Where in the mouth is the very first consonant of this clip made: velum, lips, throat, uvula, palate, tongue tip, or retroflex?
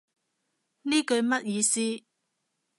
tongue tip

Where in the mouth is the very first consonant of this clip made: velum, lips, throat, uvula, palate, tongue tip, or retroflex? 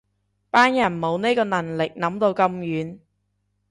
lips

